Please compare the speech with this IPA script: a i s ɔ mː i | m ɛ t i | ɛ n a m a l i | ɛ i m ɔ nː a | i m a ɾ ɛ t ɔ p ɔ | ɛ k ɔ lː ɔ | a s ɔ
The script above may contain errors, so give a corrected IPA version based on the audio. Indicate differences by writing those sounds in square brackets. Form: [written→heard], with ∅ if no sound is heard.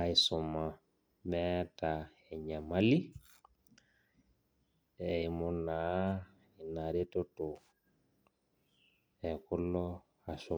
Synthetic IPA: a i s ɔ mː [i→a] | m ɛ t [i→a] | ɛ [n→ɲ] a m a l i | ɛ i m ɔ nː a | i [m→n] a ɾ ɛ t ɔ [p→t] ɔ | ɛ k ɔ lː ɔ | a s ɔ